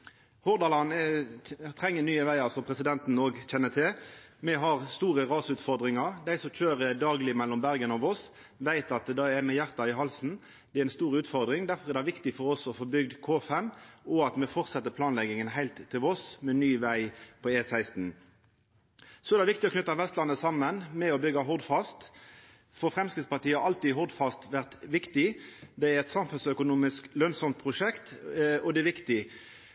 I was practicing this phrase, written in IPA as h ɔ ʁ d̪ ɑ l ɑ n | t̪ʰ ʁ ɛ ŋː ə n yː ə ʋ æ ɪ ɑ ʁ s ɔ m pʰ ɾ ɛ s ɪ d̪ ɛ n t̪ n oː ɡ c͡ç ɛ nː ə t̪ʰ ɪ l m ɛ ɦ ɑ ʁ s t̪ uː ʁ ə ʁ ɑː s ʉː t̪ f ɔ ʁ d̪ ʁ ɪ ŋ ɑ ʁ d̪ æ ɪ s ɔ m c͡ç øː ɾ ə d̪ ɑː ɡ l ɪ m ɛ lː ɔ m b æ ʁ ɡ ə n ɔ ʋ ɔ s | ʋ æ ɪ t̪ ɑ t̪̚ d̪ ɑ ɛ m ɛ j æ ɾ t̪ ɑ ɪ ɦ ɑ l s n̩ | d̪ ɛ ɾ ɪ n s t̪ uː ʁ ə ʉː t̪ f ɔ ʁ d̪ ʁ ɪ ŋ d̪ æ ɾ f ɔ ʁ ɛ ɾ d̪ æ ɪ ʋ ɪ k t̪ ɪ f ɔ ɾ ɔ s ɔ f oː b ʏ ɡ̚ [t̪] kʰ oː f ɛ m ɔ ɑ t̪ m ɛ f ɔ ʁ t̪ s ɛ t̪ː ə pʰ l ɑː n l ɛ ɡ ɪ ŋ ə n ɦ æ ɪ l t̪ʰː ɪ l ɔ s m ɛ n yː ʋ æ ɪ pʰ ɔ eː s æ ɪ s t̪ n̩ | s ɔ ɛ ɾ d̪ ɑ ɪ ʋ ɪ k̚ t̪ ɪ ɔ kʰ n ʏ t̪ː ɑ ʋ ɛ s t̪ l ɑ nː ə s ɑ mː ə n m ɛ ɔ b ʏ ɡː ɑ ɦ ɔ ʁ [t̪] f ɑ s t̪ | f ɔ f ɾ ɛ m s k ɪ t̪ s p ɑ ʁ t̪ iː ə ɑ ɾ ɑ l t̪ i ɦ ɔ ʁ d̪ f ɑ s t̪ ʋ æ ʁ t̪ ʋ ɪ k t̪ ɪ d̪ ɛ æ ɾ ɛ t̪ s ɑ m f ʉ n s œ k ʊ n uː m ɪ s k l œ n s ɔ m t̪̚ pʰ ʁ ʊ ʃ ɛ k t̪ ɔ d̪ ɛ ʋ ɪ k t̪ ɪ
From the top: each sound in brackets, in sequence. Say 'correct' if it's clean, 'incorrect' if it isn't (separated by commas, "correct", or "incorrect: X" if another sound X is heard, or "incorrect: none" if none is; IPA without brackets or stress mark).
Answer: incorrect: d̪, incorrect: d̪